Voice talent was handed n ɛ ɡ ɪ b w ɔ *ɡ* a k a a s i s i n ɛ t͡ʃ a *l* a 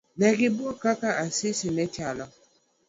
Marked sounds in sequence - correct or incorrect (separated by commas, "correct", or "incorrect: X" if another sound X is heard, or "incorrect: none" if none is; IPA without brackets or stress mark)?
incorrect: k, correct